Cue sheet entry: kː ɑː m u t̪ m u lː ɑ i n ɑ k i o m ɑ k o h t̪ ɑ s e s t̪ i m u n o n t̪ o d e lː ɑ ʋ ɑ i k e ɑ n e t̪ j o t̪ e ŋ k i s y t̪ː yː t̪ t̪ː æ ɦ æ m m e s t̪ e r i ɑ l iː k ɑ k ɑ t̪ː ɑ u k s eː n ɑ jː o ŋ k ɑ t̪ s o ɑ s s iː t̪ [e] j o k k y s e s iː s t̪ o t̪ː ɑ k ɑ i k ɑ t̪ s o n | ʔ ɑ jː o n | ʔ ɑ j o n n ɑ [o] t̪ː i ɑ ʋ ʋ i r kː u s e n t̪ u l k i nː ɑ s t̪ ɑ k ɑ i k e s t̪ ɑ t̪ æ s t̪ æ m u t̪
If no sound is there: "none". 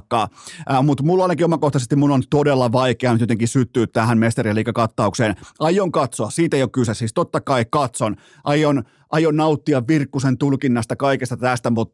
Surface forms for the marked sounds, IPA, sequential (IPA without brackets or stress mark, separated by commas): e, u